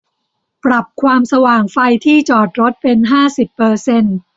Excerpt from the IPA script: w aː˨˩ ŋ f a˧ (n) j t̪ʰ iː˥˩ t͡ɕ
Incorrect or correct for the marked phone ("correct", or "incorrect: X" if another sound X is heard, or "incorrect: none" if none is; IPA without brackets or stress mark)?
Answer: incorrect: none